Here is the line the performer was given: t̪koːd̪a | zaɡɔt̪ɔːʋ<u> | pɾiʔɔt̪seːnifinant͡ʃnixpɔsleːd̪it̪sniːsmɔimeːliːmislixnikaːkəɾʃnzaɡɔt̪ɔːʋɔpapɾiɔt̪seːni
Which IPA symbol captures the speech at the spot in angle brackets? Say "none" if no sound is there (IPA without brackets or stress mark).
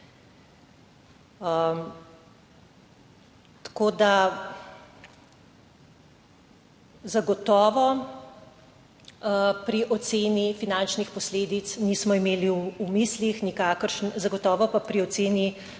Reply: ɔ